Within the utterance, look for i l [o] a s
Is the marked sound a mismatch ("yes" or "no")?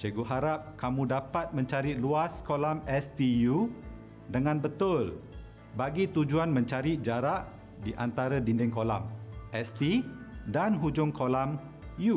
yes